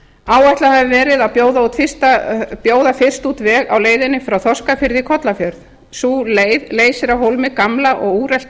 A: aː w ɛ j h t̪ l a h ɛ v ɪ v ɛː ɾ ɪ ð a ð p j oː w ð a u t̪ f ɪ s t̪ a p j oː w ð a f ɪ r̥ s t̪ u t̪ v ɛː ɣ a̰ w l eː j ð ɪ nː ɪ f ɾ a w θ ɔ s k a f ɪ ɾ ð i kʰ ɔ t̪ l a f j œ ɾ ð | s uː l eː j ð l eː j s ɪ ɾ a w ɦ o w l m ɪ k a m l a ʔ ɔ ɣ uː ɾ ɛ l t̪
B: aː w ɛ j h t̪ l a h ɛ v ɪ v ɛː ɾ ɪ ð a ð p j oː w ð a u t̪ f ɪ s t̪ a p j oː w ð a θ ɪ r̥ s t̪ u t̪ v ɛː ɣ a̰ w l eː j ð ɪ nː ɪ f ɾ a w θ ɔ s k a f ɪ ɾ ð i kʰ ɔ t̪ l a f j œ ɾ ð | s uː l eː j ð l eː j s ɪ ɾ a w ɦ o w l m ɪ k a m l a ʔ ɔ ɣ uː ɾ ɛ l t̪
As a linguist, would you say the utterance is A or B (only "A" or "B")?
A